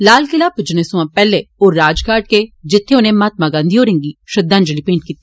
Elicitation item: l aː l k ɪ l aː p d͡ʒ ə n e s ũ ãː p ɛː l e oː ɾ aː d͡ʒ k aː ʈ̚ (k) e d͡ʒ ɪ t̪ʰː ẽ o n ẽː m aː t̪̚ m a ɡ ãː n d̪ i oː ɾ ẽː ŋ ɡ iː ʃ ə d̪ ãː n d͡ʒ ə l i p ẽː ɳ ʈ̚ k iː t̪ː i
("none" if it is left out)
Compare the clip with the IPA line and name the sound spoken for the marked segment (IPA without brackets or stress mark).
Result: k